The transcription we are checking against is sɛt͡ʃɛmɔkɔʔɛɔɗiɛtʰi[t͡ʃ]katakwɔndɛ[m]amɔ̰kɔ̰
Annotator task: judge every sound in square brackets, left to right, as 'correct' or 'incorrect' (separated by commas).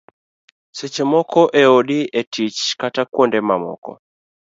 correct, correct